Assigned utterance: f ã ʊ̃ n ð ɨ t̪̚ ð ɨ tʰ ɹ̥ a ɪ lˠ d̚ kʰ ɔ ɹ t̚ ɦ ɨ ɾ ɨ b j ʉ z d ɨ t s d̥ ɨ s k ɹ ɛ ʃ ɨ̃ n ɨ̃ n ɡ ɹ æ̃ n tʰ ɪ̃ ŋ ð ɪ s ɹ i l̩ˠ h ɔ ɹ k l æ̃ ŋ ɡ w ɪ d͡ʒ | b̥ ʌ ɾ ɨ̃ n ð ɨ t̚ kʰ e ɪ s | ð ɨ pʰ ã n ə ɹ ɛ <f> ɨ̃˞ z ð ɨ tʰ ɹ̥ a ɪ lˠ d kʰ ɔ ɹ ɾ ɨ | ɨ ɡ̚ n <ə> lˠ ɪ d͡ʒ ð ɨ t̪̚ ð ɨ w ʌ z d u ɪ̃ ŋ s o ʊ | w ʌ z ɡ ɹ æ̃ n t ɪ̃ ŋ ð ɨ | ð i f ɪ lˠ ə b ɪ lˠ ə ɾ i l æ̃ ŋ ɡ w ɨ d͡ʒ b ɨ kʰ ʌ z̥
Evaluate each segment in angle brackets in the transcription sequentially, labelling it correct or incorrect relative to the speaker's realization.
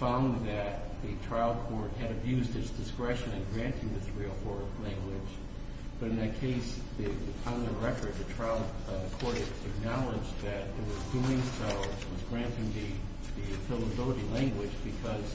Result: correct, incorrect: ɑ

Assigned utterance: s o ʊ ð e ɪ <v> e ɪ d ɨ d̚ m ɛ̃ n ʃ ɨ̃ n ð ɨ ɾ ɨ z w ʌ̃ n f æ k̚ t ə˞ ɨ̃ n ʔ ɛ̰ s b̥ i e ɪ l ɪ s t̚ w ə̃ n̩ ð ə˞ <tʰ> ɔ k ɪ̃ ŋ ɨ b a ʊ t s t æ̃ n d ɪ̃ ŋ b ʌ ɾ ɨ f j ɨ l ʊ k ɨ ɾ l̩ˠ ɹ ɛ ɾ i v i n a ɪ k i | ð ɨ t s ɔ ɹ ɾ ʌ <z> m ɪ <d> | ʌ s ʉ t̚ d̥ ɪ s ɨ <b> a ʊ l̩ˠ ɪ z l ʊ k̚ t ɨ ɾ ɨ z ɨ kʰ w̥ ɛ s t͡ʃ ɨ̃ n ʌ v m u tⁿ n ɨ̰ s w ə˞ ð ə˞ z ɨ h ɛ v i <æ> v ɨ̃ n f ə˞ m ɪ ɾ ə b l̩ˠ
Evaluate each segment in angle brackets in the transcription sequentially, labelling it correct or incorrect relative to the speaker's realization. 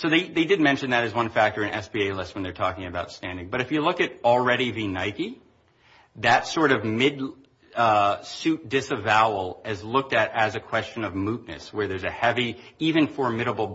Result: incorrect: ð, correct, incorrect: v, correct, incorrect: v, incorrect: i

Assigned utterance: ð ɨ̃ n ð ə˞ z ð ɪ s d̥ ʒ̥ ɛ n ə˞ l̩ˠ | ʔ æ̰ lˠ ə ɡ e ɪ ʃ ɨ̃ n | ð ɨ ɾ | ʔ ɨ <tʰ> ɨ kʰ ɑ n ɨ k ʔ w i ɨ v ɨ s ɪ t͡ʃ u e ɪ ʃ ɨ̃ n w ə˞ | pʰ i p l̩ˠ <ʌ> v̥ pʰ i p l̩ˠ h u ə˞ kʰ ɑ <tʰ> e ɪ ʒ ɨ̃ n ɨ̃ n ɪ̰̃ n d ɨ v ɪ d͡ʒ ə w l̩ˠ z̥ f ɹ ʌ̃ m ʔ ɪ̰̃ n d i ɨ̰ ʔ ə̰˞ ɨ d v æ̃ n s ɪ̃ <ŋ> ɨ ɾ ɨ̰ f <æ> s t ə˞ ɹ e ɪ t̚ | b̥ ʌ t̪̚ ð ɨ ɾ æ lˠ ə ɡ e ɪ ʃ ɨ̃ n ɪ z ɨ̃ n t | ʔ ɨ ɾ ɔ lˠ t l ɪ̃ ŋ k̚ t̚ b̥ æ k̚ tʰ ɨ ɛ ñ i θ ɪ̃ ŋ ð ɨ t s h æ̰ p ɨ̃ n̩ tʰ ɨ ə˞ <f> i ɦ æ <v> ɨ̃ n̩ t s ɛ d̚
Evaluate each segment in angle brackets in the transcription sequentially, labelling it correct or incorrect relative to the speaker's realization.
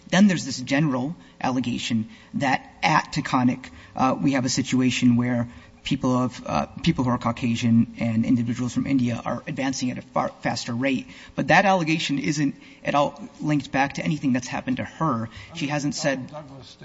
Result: correct, correct, incorrect: kʰ, correct, correct, incorrect: ʃ, incorrect: z

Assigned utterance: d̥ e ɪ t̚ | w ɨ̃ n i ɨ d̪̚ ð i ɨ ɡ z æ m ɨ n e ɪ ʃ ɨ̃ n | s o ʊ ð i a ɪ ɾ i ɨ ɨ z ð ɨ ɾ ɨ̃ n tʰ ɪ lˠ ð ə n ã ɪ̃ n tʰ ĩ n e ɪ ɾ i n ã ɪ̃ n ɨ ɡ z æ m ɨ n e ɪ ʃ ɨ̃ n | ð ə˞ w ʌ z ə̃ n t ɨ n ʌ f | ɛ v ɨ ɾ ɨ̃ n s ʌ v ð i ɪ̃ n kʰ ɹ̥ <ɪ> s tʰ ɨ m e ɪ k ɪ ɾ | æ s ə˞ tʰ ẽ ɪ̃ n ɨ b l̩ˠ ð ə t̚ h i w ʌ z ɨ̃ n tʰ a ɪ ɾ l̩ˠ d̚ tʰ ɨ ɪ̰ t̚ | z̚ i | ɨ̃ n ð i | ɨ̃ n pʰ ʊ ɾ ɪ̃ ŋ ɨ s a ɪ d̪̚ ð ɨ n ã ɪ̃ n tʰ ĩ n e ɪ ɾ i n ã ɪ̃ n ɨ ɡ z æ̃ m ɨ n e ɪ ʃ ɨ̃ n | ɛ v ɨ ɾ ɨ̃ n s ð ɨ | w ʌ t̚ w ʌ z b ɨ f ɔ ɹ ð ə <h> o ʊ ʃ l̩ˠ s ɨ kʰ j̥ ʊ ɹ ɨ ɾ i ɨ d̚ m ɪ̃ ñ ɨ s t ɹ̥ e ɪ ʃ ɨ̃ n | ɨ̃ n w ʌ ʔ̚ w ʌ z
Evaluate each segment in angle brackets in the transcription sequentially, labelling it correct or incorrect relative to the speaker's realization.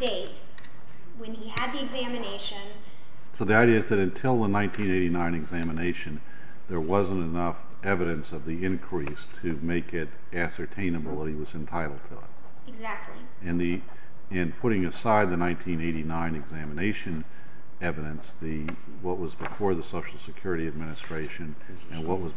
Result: incorrect: i, incorrect: s

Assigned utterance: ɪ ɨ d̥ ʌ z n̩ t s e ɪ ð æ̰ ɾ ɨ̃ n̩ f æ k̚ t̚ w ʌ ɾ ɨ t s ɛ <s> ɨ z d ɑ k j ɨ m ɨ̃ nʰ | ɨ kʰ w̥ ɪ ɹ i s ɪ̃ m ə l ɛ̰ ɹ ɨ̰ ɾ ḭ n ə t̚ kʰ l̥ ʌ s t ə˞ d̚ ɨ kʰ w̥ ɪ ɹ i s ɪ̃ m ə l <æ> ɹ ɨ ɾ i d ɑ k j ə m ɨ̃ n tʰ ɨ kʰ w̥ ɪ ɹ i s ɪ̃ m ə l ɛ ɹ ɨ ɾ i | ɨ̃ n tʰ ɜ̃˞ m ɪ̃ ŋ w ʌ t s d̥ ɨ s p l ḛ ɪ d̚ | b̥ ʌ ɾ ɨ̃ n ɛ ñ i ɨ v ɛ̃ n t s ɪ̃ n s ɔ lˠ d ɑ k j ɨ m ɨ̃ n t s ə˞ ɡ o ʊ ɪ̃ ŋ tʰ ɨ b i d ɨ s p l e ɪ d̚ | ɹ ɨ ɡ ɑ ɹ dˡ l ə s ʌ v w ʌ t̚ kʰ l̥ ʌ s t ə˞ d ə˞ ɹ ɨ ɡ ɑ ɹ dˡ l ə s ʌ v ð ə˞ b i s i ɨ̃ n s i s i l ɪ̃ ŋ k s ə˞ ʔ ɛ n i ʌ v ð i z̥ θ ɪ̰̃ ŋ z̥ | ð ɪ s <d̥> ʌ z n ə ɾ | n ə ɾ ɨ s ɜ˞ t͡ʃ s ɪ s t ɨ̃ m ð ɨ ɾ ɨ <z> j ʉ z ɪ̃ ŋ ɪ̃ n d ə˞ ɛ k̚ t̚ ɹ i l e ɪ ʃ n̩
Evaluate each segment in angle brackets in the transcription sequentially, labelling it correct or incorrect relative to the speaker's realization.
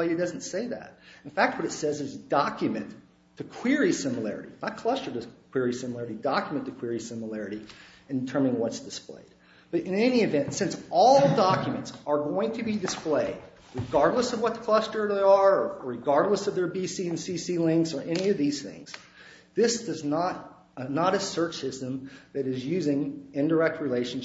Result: incorrect: z, incorrect: ɛ, correct, correct

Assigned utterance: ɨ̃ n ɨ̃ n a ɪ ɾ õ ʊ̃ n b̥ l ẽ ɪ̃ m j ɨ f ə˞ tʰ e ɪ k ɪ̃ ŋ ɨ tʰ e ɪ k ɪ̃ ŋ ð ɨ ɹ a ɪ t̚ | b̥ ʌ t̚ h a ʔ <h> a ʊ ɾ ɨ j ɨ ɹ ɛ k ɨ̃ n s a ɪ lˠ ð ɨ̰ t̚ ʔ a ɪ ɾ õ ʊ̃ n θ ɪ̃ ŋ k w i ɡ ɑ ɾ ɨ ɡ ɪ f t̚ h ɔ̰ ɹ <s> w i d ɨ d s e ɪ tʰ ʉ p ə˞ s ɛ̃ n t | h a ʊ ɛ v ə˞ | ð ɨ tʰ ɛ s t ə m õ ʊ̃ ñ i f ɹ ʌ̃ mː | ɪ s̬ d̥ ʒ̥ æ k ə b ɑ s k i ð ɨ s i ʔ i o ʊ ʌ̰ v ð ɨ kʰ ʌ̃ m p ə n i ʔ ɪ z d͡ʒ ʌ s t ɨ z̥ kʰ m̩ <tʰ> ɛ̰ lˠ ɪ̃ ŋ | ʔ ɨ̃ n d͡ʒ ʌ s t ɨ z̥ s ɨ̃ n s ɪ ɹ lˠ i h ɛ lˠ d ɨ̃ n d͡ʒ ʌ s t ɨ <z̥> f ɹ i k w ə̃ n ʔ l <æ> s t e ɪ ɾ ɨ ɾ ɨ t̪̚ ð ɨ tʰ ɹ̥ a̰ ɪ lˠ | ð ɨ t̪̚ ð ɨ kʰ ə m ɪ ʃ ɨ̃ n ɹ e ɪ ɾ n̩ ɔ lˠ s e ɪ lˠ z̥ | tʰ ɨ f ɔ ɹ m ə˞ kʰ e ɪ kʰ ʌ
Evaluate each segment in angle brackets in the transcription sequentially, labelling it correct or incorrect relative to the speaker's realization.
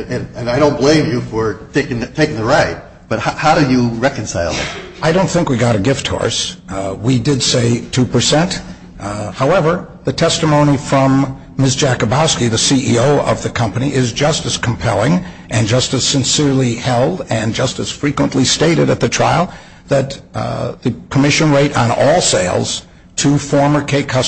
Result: correct, correct, incorrect: pʰ, correct, incorrect: i

